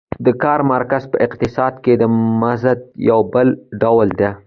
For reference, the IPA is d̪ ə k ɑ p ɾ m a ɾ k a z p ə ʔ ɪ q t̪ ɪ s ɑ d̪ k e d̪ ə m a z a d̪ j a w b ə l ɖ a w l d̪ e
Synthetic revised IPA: d̪ ə k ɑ ɾ m a ɾ k a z p ə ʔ ɪ q t̪ ɪ s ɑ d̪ k e d̪ ə m a z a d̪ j a w b ə l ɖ a w l d̪ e